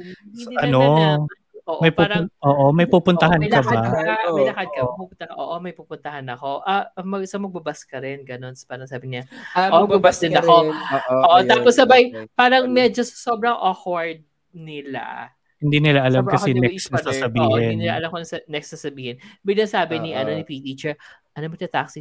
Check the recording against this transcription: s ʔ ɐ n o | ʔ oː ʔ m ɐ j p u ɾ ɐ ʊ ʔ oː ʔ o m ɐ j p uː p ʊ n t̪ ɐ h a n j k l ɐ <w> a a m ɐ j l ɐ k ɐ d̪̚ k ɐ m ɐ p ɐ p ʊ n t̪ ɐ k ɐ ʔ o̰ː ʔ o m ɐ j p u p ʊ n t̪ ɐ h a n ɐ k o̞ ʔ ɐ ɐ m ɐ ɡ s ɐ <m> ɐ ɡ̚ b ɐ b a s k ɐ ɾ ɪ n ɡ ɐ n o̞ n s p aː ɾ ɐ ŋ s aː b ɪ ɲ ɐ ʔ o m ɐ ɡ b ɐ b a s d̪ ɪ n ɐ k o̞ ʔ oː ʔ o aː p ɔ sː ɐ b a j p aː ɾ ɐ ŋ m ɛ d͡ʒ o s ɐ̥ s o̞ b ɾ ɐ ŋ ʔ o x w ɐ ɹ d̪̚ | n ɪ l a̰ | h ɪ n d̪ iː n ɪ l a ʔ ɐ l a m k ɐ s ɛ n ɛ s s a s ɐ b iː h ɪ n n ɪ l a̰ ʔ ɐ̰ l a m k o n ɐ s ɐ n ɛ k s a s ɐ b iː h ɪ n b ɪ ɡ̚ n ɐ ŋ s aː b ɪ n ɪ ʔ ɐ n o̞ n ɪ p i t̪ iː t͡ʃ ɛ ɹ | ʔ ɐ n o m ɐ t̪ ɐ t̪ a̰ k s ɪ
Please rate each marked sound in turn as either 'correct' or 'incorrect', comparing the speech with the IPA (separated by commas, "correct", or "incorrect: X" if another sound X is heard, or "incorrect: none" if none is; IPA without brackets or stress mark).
incorrect: b, correct